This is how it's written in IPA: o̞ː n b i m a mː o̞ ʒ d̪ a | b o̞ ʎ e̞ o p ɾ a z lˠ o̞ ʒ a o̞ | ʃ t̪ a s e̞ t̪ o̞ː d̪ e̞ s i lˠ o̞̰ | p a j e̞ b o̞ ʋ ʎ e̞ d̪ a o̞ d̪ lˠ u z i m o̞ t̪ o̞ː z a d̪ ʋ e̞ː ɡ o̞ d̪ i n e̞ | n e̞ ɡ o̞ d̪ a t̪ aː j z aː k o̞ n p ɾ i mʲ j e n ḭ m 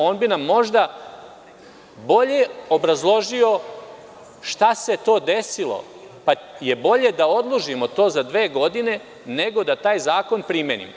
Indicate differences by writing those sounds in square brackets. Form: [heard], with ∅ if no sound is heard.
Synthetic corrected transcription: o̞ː n b i [n] a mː o̞ ʒ d̪ a | b o̞ ʎ e̞ o [b] ɾ a z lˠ o̞ ʒ [i] o̞ | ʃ t̪ a s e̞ t̪ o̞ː d̪ e̞ s i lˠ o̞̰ | p a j e̞ b o̞ [∅] ʎ e̞ d̪ a o̞ d̪ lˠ u [ʒ] i m o̞ t̪ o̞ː z a d̪ ʋ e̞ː ɡ o̞ d̪ i n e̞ | n e̞ ɡ o̞ d̪ a t̪ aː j z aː k o̞ n p ɾ i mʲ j e n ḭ m